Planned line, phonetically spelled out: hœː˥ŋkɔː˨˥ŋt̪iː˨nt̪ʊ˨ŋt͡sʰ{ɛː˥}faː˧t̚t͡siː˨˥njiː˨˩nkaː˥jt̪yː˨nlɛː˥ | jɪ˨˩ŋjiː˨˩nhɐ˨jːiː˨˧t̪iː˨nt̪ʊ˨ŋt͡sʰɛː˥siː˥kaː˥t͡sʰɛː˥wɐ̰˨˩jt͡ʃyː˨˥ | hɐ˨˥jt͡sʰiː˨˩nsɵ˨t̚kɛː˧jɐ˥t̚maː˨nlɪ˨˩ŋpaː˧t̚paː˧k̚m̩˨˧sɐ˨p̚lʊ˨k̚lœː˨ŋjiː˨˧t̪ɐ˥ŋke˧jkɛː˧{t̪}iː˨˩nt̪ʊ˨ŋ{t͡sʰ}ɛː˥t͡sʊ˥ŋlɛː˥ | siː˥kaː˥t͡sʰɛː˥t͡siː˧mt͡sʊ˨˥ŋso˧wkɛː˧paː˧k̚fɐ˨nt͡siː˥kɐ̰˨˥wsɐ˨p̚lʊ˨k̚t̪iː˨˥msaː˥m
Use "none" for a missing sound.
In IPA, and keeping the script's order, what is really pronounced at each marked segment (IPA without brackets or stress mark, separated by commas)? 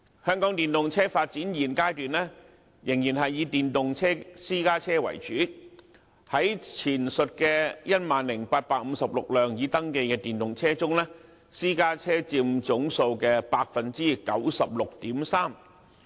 ɛː˥, t̪, t͡sʰ